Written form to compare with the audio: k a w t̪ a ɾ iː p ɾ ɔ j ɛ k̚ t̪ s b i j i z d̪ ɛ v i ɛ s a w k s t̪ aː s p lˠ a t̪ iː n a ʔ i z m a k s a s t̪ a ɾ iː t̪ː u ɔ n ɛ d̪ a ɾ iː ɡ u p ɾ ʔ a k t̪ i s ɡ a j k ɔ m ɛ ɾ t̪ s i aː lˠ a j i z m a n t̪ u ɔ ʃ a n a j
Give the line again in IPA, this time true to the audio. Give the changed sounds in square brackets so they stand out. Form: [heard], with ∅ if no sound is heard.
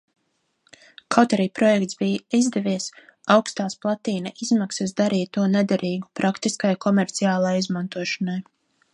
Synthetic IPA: k a w t̪ a ɾ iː p ɾ ɔ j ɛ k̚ t̪ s b i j i z d̪ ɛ v i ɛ s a w k s t̪ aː s p lˠ a t̪ iː n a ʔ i z m a k s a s [d̪] a ɾ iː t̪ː u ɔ n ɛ d̪ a ɾ iː ɡ u p ɾ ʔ a k t̪ i s [k] a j k ɔ m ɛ ɾ t̪ s i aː lˠ a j i z m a n t̪ u ɔ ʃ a n a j